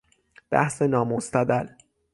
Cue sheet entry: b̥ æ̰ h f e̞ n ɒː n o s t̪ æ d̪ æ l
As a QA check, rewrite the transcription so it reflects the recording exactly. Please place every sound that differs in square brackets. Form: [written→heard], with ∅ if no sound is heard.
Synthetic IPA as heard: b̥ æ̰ h [f→s] e̞ n ɒː [n→m] o s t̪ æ d̪ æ l